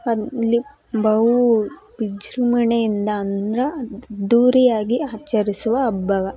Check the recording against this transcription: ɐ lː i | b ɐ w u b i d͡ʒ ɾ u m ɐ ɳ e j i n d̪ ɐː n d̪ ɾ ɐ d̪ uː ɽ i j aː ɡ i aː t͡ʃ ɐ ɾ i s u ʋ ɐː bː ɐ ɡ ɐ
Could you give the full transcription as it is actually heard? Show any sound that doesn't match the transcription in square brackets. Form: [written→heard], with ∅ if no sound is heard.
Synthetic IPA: ɐ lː i | b ɐ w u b i d͡ʒ ɾ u m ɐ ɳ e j i n d̪ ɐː n d̪ ɾ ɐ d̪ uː [ɽ→ɾ] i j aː ɡ i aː t͡ʃ ɐ ɾ i s u ʋ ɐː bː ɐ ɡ ɐ